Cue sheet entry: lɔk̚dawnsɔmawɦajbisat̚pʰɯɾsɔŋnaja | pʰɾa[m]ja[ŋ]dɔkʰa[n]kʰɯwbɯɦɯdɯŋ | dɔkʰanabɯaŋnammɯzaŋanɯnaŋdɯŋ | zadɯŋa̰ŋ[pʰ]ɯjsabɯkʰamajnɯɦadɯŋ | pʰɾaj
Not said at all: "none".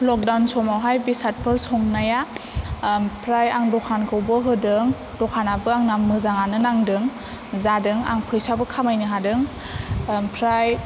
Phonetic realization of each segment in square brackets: none, ŋ, n, pʰ

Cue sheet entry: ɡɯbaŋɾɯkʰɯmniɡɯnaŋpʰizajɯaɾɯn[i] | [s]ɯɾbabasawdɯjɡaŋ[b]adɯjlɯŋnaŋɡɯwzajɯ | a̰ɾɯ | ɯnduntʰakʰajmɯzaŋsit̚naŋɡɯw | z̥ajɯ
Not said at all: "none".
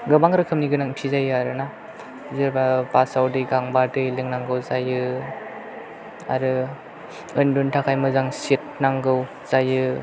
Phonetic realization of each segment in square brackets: a, z, b

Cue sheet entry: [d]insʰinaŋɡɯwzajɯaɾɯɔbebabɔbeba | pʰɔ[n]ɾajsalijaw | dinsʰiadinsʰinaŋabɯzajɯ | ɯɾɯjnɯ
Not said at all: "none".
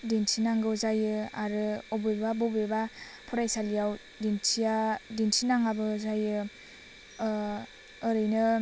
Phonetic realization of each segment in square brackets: d, none

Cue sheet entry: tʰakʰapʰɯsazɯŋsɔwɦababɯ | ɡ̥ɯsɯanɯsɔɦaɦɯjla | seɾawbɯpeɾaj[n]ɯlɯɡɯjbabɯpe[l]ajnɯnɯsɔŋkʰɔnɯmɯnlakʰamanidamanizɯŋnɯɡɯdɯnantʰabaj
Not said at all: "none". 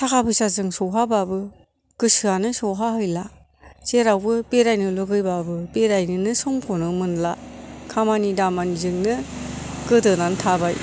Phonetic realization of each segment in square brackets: n, ɾ

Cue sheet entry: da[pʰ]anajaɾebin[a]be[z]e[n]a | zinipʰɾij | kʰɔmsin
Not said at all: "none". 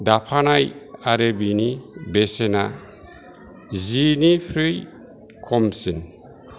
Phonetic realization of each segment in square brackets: pʰ, i, s, n

